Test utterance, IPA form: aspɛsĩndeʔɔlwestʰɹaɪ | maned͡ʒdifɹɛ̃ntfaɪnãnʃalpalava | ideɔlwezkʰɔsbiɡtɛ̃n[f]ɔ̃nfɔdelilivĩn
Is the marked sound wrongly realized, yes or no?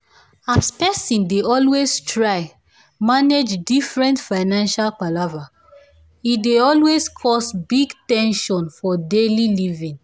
yes